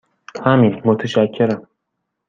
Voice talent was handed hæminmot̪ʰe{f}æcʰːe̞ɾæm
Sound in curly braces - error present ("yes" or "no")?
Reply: yes